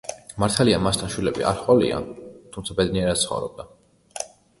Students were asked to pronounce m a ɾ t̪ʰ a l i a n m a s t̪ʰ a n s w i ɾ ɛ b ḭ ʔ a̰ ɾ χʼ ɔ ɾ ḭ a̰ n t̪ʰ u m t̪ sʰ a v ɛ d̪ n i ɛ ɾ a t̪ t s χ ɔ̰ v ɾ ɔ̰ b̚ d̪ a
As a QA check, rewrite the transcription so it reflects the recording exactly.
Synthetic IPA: m a ɾ t̪ʰ a l i a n m a s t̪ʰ a n ʃ w i l ɛ b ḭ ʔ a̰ ɾ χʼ ɔ l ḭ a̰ n t̪ʰ u m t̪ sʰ a b ɛ d̪ n i ɛ ɾ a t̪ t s χ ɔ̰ v ɾ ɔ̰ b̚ d̪ a